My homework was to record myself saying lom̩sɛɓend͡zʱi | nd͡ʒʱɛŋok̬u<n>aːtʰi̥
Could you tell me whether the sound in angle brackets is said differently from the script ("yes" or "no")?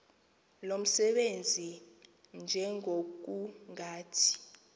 yes